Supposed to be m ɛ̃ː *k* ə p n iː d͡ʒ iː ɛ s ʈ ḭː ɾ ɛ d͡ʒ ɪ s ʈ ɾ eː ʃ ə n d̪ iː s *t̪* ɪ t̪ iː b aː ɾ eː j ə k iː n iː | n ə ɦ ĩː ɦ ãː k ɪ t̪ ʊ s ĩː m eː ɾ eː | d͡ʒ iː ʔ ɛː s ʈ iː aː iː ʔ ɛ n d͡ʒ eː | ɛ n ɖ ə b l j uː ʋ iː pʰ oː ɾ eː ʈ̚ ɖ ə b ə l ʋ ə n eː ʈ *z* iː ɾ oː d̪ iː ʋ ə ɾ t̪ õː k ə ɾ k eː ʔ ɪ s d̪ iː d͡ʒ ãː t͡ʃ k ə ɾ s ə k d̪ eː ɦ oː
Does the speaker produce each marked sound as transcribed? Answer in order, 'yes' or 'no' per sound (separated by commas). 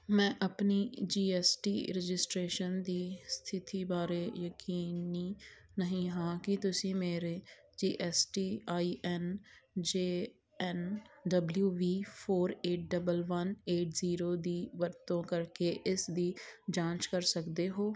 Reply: no, no, yes